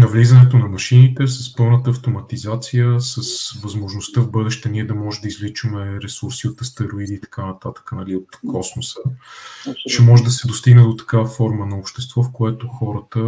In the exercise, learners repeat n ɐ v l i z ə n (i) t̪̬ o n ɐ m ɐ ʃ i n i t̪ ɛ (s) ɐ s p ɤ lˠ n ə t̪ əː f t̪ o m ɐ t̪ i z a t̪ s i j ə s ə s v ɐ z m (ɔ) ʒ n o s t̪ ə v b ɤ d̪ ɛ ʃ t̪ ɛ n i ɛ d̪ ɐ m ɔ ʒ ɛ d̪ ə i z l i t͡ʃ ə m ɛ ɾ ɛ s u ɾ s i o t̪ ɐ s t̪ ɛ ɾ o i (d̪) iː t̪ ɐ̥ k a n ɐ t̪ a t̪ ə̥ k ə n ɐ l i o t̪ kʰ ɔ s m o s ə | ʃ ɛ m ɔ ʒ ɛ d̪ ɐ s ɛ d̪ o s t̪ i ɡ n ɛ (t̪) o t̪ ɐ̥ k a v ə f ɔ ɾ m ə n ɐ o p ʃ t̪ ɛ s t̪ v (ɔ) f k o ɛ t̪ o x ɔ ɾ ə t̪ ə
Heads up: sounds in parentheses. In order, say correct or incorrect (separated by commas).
incorrect, correct, incorrect, correct, incorrect, correct